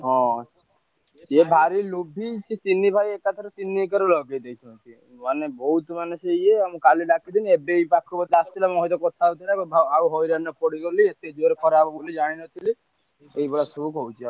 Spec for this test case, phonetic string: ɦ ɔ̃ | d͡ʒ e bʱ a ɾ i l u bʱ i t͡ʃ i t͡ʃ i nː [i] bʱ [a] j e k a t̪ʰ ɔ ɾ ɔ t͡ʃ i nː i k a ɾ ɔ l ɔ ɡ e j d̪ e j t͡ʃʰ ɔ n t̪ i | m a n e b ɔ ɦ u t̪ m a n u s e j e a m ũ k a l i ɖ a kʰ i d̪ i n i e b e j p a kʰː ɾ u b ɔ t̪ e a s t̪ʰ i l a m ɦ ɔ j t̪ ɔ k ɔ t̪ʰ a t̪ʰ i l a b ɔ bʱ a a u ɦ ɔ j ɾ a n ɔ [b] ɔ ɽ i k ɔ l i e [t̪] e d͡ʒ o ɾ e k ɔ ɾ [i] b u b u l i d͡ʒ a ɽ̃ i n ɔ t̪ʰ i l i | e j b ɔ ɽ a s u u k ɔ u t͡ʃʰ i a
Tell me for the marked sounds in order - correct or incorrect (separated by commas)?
correct, correct, incorrect, correct, incorrect